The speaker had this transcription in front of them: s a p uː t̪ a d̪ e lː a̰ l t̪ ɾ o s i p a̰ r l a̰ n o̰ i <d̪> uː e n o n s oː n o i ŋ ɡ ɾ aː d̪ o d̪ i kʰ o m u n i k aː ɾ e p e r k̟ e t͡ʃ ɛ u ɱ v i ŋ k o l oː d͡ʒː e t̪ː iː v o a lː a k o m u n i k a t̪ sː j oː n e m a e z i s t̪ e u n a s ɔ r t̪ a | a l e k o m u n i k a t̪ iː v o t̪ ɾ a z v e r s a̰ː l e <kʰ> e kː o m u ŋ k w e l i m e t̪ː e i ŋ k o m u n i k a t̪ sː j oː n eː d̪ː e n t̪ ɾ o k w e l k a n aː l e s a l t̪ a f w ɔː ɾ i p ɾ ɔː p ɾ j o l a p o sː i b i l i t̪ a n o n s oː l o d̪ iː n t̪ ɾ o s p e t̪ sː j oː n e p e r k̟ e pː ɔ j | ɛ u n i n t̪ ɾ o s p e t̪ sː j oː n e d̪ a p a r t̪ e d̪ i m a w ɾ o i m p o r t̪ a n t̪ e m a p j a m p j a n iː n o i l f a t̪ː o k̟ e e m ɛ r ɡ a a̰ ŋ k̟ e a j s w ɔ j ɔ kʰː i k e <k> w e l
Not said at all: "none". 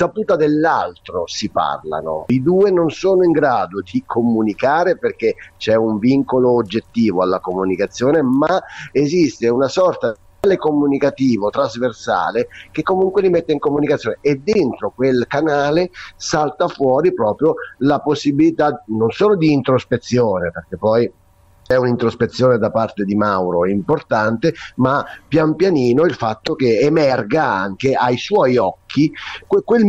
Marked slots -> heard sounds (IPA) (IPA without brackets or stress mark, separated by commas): d̪, k, k